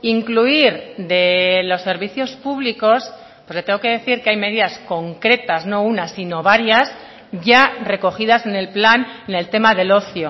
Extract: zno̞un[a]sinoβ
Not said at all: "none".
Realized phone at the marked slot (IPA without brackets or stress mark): a